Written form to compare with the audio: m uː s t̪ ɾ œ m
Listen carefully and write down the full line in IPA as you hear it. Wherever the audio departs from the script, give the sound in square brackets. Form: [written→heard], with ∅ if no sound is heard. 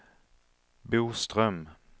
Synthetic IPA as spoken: [m→b] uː s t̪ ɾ œ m